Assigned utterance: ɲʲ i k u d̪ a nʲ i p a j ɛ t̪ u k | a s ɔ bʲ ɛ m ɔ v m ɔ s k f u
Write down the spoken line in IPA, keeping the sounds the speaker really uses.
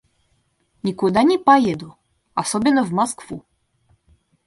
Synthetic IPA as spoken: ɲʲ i k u d̪ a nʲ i p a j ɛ d̪ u | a s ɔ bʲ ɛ n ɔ v m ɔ s k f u